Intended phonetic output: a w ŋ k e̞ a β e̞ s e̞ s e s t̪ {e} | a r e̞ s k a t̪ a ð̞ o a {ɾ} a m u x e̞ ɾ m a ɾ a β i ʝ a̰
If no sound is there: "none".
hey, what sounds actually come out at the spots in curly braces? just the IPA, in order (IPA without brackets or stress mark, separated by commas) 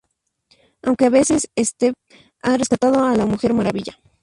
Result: e, l